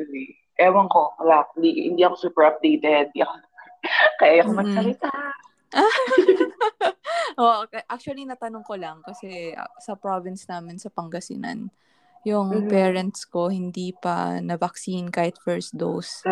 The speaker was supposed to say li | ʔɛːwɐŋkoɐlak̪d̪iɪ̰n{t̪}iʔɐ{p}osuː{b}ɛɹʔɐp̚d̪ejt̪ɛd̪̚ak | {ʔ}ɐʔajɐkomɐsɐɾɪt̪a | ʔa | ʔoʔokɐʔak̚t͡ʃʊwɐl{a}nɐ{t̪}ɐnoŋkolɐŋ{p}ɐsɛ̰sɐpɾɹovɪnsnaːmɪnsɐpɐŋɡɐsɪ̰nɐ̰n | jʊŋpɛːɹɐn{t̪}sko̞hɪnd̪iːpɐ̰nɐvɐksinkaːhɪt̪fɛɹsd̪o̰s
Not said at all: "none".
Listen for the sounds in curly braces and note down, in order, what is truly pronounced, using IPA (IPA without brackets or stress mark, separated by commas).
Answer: d̪, k, p, k, i, t̪, k, t̪